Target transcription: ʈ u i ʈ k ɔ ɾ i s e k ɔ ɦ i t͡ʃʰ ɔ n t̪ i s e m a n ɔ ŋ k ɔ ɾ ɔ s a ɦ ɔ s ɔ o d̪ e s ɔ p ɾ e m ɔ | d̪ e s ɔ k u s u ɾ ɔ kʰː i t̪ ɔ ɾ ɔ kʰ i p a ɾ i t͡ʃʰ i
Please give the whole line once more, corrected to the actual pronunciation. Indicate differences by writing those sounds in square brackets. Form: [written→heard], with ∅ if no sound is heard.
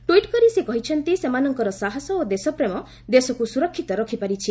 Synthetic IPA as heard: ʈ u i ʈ k ɔ ɾ i s e k ɔ ɦ i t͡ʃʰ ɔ n t̪ i s e m a n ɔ ŋ k ɔ ɾ ɔ s a ɦ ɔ s ɔ o d̪ e s ɔ p ɾ e m ɔ | d̪ e s ɔ k u s u ɾ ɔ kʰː i t̪ ɔ ɾ ɔ kʰ i p a ɾ i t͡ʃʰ i

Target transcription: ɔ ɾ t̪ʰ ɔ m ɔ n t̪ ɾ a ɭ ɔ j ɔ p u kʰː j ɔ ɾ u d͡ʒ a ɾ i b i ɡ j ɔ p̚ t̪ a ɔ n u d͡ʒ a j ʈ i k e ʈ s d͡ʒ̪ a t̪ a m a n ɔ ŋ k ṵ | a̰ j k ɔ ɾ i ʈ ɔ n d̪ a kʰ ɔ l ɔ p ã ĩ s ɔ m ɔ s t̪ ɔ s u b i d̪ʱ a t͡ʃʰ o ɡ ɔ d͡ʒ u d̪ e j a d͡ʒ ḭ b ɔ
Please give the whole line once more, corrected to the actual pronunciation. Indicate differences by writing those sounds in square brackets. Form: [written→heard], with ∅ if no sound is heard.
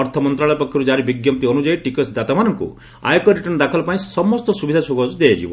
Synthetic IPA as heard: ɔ ɾ t̪ʰ ɔ m ɔ n t̪ ɾ a ɭ ɔ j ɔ p [u→ɔ] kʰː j ɔ ɾ u d͡ʒ a ɾ i b i ɡ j ɔ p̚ t̪ [a→i] ɔ n u d͡ʒ a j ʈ i k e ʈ s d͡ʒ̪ a t̪ a m a n ɔ ŋ k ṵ | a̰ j k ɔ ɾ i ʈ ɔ n d̪ a kʰ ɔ l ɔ p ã ĩ s ɔ m ɔ s t̪ ɔ s u b i d̪ʱ a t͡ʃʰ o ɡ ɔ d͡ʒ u d̪ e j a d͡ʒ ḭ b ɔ

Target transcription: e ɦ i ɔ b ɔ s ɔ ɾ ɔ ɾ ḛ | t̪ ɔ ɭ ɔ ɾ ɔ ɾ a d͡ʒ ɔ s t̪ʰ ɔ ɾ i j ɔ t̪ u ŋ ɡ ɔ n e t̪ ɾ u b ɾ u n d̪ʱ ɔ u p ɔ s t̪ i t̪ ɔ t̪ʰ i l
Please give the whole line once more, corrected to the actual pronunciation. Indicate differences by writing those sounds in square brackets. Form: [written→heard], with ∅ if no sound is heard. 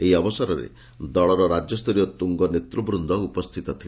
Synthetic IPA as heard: e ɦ i ɔ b ɔ s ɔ ɾ ɔ ɾ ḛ | [t̪→d̪] ɔ ɭ ɔ ɾ ɔ ɾ a d͡ʒ ɔ s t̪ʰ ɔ ɾ i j ɔ t̪ u ŋ ɡ ɔ n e t̪ ɾ u b ɾ u n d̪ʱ ɔ u p ɔ s [t̪→t̪ʰ] i t̪ ɔ t̪ʰ i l

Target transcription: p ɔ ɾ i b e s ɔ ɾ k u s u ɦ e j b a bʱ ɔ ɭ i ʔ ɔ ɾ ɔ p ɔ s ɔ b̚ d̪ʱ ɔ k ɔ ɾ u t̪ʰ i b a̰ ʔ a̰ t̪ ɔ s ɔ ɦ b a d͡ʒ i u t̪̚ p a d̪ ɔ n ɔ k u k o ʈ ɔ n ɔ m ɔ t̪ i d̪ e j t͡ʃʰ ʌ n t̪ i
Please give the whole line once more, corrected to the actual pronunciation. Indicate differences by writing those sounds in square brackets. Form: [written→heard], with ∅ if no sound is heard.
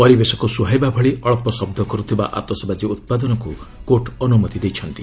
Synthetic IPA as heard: p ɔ ɾ i b e s ɔ [ɾ→∅] k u s u ɦ [e→a] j b a bʱ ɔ ɭ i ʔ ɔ [ɾ→ɭ] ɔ p ɔ s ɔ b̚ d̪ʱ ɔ k ɔ ɾ u t̪ʰ i b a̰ ʔ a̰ t̪ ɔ s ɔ [ɦ→∅] b a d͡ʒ i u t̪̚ p a d̪ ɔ n ɔ k u k o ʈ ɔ n [ɔ→u] m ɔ t̪ i d̪ e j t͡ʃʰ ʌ n t̪ i

